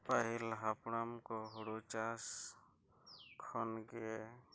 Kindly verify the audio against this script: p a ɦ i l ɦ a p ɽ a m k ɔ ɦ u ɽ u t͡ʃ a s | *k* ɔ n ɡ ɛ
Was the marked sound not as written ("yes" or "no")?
yes